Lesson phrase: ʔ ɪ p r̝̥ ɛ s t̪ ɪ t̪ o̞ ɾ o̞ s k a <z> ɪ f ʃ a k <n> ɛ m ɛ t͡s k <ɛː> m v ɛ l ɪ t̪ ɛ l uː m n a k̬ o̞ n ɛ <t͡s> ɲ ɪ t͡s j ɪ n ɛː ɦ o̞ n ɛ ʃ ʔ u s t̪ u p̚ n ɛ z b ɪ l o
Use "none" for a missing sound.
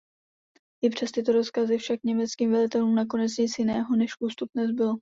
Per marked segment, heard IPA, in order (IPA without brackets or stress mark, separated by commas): z, ɲ, iː, t͡s